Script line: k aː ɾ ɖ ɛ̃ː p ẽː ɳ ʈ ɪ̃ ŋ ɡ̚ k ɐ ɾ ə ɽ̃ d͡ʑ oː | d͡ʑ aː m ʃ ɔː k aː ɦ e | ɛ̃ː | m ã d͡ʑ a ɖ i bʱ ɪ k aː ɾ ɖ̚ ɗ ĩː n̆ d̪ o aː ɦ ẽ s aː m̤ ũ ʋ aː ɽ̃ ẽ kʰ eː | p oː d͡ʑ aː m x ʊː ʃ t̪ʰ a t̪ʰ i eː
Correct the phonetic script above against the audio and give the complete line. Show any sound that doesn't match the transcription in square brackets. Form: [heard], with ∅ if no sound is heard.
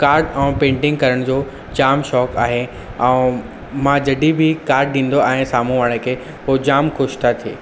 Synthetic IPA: k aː ɾ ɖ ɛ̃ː p ẽː ɳ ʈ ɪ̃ ŋ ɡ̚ k ɐ ɾ ə ɽ̃ d͡ʑ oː | d͡ʑ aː m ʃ ɔː k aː ɦ e | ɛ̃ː | m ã d͡ʑ [ɐ] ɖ i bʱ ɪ k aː ɾ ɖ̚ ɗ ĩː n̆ d̪ o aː ɦ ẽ s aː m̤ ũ ʋ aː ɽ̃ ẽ kʰ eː | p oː d͡ʑ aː m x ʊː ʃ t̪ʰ a t̪ʰ i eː

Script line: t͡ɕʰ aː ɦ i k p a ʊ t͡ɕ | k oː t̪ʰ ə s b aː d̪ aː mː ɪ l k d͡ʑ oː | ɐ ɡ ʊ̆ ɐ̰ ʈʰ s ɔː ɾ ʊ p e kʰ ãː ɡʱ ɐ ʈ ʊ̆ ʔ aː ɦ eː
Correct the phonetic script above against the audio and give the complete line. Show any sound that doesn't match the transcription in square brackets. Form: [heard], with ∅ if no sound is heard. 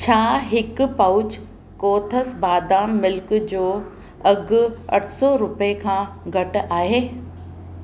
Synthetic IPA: t͡ɕʰ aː ɦ [ɪ] k p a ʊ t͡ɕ | k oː t̪ʰ ə s b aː d̪ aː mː ɪ l k d͡ʑ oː | ɐ ɡ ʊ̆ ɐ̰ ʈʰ s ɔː ɾ ʊ p e kʰ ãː ɡʱ ɐ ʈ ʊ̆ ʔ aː ɦ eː

